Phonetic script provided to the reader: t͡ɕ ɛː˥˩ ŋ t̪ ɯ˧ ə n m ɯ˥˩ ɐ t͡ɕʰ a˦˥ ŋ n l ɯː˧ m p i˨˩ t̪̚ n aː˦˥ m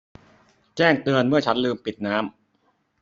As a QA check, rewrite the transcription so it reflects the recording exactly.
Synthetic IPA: t͡ɕ ɛː˥˩ ŋ t̪ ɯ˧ ə n m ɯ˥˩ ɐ t͡ɕʰ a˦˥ n l ɯː˧ m p i˨˩ t̪̚ n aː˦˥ m